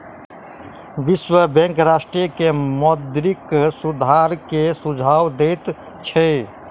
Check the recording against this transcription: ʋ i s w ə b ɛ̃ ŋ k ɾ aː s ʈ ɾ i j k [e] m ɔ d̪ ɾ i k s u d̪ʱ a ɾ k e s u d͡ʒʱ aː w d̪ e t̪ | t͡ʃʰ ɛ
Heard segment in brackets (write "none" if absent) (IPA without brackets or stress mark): e